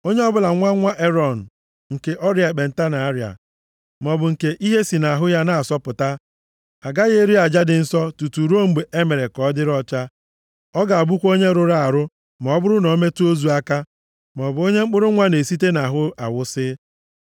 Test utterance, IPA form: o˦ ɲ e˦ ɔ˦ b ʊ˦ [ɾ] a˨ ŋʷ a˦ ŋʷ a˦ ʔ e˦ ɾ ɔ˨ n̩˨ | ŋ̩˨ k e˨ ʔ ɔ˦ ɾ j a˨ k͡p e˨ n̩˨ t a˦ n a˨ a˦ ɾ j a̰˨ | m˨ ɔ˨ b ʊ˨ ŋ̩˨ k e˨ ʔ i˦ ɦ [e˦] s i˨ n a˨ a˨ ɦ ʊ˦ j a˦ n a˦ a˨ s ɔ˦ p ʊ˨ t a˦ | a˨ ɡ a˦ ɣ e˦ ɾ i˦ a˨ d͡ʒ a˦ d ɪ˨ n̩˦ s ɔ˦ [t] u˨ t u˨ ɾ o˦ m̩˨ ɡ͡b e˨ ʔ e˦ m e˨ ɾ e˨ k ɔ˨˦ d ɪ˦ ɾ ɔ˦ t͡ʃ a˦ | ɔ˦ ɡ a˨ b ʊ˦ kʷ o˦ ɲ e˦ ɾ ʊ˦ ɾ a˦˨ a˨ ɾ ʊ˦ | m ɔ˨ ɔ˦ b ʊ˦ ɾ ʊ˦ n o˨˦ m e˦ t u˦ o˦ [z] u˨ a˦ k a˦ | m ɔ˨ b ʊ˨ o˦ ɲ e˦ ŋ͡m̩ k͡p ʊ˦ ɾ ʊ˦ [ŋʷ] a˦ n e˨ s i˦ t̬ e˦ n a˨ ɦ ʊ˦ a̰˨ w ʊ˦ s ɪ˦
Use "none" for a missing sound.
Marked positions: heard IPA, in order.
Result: l, e˦, t, z, ŋʷ

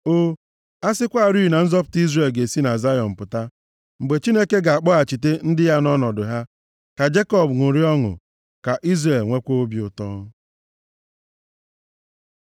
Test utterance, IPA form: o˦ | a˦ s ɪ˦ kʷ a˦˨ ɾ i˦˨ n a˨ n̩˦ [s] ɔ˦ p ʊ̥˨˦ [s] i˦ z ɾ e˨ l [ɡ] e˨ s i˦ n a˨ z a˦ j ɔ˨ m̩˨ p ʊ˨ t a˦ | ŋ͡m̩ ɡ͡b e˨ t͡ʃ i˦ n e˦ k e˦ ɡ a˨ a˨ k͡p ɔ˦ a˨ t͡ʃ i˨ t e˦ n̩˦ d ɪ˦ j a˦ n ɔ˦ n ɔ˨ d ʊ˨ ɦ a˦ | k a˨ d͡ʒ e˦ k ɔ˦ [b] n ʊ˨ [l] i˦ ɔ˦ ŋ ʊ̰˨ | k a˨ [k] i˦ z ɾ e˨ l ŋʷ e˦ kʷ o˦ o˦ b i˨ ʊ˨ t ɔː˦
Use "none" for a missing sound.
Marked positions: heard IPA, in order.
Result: z, t, ɡ, b, ɾ, ʔ

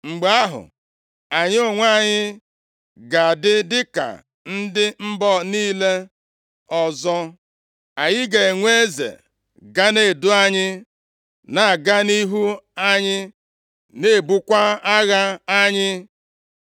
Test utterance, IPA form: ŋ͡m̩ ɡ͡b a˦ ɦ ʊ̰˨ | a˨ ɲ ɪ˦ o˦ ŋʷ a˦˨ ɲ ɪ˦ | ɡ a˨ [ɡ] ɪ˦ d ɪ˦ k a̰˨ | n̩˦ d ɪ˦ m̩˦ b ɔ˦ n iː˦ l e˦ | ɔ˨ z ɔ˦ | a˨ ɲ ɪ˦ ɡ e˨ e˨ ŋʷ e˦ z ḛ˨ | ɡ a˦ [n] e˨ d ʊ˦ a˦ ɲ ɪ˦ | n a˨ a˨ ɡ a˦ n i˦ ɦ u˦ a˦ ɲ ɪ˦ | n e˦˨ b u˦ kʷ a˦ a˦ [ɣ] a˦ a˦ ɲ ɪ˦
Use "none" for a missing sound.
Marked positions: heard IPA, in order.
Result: d, n, ɣ

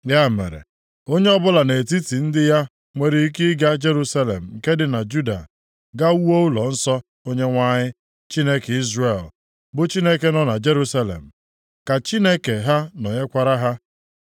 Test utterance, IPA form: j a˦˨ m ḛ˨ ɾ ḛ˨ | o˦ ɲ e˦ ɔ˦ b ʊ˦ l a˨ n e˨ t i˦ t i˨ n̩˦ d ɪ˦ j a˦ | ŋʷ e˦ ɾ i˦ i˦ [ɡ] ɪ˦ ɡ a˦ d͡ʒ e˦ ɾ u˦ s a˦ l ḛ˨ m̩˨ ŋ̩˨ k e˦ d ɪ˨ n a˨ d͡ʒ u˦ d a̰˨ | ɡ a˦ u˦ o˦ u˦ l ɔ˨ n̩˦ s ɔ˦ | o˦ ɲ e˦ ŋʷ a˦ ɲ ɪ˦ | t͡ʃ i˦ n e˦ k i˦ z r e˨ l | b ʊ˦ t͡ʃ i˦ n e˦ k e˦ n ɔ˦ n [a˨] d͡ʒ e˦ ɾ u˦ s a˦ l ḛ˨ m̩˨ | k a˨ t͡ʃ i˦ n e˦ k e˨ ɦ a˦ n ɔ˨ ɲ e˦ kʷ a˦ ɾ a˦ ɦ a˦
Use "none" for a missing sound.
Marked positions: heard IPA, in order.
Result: k, a˨

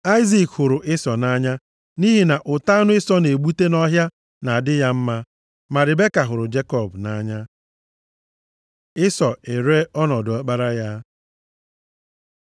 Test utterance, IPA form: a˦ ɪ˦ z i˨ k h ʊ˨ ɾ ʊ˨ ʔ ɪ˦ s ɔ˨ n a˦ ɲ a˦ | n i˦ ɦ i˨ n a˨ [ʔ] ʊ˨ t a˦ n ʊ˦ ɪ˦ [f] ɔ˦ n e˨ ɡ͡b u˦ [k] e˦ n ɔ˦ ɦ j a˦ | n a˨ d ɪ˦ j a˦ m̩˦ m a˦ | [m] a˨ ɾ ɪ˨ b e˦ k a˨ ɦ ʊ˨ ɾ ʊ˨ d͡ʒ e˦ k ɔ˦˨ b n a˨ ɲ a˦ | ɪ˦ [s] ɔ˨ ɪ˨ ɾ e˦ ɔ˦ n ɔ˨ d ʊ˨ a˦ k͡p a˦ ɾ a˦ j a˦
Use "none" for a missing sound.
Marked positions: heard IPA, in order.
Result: ʔ, s, t, m, s

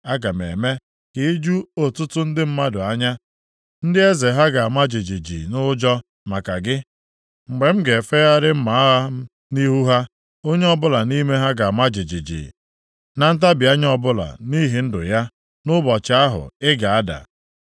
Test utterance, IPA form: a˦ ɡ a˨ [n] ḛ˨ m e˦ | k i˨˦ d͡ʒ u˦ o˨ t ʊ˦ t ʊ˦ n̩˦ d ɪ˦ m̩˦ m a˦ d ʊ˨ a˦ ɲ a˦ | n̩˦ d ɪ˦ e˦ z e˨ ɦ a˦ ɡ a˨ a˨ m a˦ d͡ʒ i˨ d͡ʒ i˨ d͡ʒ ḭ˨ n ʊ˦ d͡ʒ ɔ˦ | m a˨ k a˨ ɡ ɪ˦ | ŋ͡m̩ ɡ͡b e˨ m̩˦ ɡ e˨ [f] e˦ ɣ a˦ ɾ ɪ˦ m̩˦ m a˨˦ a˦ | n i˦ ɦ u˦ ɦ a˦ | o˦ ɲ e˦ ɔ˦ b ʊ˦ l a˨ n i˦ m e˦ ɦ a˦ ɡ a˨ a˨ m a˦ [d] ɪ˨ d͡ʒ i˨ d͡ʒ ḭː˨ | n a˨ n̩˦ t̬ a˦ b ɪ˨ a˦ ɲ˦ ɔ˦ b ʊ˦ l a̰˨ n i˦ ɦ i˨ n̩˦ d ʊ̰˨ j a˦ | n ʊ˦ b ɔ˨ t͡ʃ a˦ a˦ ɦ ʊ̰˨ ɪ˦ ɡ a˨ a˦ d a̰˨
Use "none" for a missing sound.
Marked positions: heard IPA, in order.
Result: m, f, d͡ʒ

